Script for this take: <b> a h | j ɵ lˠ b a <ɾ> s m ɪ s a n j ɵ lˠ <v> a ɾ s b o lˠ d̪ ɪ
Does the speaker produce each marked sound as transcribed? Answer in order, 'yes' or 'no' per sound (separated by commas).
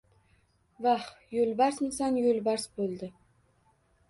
no, yes, no